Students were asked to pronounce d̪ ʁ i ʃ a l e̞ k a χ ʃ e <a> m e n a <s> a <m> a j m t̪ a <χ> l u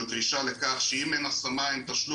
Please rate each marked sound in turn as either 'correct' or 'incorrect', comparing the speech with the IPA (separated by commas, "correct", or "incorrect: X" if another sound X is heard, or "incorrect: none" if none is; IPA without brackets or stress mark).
incorrect: i, correct, correct, incorrect: ʃ